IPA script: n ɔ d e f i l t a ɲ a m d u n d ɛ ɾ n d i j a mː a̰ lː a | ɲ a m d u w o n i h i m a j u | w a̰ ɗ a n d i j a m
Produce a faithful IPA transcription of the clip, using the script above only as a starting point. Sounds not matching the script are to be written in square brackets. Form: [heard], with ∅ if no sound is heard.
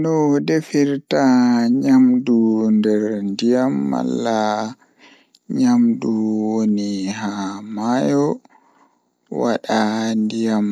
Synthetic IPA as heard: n ɔ d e f i [ɾ] t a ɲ a m d u n d ɛ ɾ n d i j a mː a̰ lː a | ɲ a m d u w o n i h [a] m a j [ɔ] | w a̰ ɗ a n d i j a m